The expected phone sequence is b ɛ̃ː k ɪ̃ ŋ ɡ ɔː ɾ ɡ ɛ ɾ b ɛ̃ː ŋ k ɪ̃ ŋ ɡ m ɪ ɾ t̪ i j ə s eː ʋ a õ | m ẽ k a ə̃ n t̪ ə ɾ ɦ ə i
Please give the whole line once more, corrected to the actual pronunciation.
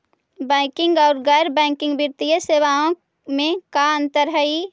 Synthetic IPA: b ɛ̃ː k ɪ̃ ŋ ɡ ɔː ɾ ɡ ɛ ɾ b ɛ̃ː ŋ k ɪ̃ ŋ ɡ b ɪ ɾ t̪ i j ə s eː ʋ a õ | m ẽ k a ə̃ n t̪ ə ɾ ɦ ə i